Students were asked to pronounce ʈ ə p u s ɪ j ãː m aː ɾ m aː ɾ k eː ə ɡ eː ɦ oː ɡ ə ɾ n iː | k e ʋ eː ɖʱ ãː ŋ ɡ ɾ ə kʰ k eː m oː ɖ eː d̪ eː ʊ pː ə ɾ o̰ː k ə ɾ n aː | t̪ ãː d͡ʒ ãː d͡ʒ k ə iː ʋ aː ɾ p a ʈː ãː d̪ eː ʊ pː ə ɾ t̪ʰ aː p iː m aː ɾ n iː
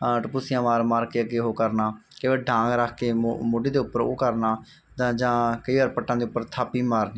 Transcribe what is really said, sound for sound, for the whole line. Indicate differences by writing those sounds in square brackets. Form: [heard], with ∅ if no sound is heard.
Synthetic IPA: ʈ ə p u s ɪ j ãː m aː ɾ m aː ɾ k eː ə ɡ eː ɦ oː [k] ə ɾ n [aː] | k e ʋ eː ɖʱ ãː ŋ ɡ ɾ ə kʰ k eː m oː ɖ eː d̪ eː ʊ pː ə ɾ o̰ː k ə ɾ n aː | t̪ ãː d͡ʒ ãː [∅] k ə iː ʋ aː ɾ p [ə] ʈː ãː d̪ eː ʊ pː ə ɾ t̪ʰ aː p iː m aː ɾ n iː